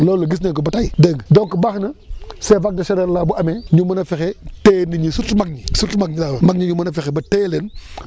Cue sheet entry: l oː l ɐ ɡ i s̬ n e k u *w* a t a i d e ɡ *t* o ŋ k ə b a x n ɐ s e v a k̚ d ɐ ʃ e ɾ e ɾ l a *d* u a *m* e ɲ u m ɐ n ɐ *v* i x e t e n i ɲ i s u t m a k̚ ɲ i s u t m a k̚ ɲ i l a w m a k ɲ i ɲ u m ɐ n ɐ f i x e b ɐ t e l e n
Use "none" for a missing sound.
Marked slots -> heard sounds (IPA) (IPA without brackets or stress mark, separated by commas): b, d, b, m, f